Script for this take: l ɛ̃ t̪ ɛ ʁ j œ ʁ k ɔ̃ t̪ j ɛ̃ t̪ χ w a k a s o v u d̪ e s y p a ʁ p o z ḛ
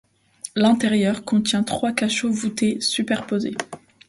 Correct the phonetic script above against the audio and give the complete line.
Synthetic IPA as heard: l ɛ̃ t̪ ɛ ʁ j œ ʁ k ɔ̃ t̪ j ɛ̃ t̪ χ w a k a ʃ o v u t̪ e s y p ɛ ʁ p o z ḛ